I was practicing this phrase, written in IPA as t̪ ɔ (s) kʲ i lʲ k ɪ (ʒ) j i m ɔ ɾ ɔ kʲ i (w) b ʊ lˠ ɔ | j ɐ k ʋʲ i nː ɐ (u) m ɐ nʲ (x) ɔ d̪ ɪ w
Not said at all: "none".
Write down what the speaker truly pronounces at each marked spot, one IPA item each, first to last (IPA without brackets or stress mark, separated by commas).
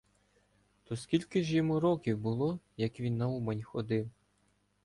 s, ʒ, w, u, x